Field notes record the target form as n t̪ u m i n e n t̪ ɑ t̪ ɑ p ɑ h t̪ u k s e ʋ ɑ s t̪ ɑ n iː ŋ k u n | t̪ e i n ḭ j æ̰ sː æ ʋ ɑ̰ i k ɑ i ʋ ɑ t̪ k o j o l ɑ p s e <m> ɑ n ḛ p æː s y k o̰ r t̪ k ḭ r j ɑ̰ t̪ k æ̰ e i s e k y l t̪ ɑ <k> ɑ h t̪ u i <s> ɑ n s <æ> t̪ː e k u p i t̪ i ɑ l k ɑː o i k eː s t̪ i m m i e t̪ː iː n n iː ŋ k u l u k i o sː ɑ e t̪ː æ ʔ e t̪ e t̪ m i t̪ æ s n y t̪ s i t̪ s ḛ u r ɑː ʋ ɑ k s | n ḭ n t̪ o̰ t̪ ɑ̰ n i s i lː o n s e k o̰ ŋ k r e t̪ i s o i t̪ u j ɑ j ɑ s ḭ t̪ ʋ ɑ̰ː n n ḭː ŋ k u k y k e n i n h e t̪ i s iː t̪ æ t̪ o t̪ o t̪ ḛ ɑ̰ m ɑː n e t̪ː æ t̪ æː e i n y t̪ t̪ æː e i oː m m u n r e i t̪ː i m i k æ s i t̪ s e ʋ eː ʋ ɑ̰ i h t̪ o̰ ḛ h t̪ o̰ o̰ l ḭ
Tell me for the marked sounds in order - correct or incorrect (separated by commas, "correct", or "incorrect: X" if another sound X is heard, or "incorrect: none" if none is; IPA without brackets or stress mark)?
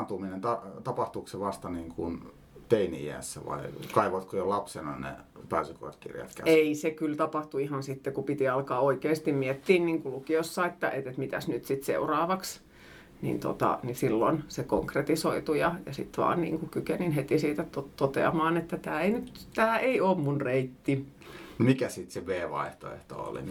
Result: incorrect: n, incorrect: p, incorrect: h, incorrect: i